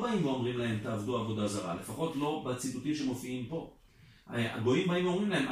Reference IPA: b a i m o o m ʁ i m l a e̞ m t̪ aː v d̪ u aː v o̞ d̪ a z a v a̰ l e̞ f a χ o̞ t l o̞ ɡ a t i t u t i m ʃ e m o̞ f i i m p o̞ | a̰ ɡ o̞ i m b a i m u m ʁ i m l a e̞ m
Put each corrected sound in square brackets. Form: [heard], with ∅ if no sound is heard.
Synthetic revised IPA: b a i m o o m ʁ i m l a e̞ m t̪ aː v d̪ u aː v o̞ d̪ a z a [ʁ] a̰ l e̞ f a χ o̞ t l o̞ [b] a [t͡s] i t u t i m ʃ e m o̞ f i i m p o̞ | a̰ ɡ o̞ i m b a i m [o] m ʁ i m l a e̞ m